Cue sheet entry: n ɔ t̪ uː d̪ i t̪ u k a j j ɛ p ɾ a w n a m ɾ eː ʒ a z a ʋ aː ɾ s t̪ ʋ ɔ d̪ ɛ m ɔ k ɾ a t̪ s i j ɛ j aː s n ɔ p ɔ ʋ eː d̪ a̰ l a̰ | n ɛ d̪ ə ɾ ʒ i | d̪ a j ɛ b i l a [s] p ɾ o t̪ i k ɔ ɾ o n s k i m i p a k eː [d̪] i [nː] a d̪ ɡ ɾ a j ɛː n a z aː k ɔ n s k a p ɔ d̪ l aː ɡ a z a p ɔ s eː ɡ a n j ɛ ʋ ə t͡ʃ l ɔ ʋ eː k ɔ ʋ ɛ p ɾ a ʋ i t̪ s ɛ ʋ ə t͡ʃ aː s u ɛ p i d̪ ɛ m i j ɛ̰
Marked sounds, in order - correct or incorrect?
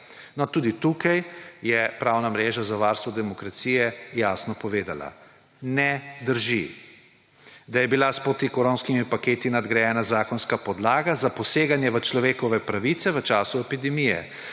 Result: correct, incorrect: t̪, incorrect: n

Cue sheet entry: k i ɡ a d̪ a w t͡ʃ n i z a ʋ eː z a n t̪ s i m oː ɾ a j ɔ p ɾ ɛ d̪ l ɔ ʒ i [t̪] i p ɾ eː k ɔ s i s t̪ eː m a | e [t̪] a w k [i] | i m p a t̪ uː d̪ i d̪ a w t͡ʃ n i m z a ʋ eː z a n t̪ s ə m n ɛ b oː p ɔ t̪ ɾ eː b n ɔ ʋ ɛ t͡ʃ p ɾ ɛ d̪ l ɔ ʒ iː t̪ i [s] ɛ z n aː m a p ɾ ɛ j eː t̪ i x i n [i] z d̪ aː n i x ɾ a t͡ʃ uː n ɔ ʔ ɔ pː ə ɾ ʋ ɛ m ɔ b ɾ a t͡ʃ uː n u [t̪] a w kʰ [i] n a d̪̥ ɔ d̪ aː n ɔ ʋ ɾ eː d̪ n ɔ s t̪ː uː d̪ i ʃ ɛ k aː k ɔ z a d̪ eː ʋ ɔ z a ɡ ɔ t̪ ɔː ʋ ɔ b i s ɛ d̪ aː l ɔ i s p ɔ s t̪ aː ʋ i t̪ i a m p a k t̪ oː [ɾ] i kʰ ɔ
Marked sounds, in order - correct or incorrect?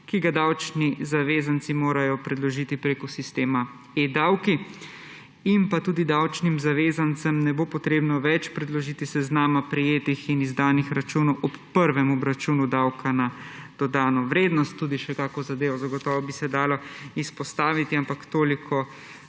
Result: correct, incorrect: d̪, correct, correct, correct, incorrect: d̪, incorrect: a, incorrect: l

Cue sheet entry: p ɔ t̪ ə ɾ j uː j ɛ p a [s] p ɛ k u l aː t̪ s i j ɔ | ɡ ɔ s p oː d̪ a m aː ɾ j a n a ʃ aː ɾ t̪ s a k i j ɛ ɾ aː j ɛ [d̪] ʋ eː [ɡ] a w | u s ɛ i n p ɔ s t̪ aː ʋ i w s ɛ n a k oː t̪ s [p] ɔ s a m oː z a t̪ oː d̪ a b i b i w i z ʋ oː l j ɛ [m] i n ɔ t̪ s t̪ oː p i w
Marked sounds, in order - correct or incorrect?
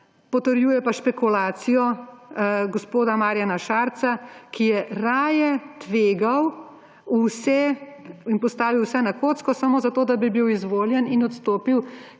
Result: incorrect: ʃ, incorrect: t̪, correct, incorrect: k, incorrect: n

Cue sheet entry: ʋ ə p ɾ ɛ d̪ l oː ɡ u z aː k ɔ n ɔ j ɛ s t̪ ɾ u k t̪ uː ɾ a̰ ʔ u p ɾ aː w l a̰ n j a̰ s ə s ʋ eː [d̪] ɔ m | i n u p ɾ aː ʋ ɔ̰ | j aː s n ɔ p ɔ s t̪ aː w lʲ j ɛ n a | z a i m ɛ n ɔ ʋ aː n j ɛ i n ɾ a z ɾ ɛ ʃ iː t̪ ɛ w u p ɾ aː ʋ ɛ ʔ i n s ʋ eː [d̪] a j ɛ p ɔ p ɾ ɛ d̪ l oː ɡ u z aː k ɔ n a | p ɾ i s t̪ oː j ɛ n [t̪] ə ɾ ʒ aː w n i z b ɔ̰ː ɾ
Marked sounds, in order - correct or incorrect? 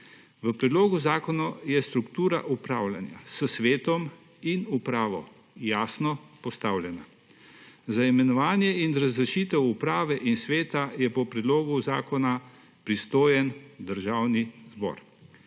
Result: incorrect: t̪, incorrect: t̪, incorrect: d̪

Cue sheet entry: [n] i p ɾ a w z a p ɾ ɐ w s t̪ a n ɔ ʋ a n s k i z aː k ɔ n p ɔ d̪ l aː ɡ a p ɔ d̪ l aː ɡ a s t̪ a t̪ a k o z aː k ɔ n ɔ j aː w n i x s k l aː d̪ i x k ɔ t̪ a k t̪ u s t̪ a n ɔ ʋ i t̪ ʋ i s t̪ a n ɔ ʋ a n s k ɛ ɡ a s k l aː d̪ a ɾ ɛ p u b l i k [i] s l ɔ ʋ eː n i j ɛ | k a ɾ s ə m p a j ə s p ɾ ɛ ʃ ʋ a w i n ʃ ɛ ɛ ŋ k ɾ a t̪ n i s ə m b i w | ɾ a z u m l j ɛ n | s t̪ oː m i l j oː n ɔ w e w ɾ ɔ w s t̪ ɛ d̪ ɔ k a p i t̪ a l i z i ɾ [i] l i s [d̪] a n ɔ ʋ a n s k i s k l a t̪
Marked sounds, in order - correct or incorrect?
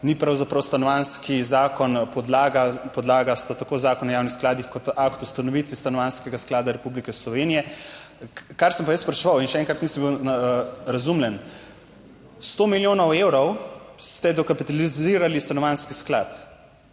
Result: correct, incorrect: ɛ, incorrect: a, incorrect: t̪

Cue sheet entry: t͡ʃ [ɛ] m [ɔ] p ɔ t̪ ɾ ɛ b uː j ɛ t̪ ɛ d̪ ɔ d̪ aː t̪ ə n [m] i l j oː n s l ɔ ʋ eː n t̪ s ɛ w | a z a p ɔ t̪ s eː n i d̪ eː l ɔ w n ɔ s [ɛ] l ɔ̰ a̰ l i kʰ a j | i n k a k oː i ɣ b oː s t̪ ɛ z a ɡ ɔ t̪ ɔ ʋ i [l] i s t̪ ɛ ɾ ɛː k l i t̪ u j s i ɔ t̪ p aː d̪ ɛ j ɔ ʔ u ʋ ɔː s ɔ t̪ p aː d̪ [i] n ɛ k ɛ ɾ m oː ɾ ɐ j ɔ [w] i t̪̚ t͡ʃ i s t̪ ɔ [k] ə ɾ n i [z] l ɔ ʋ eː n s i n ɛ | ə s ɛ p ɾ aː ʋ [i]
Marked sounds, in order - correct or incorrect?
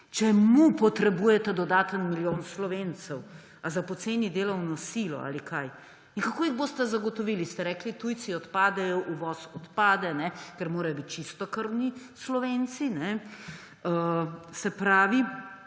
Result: correct, incorrect: u, correct, incorrect: i, correct, incorrect: ɛ, incorrect: b, correct, incorrect: s, correct

